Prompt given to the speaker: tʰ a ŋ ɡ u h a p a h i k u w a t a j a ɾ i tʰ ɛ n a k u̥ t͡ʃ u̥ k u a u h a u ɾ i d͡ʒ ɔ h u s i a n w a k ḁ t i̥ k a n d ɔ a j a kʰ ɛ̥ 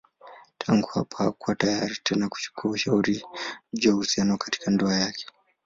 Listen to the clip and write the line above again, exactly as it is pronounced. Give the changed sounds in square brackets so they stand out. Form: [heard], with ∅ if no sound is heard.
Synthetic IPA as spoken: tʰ a ŋ ɡ u h a p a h [a] k u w a t a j a ɾ i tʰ ɛ n a k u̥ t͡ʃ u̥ k u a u [ʃ] a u ɾ i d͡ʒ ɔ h u s i a n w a k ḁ t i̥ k a n d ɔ a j a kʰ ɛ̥

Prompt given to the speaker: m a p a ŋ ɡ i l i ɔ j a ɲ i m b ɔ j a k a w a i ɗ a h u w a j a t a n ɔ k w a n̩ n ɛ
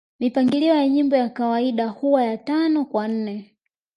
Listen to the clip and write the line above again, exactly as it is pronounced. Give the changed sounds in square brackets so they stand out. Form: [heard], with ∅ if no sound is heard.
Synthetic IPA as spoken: m [i] p a ŋ ɡ i l i ɔ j a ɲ i m b ɔ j a k a w a i ɗ a h u w a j a t a n ɔ k w a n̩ n ɛ

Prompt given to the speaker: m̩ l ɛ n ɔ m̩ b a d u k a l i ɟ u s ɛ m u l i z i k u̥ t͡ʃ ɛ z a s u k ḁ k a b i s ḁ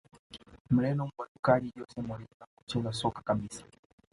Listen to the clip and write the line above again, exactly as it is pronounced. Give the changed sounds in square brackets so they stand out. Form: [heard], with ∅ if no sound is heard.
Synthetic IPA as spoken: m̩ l ɛ n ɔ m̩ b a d u k a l i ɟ [ɔ] s ɛ m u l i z [a] k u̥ t͡ʃ ɛ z a s [ɔ] k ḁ k a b i s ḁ

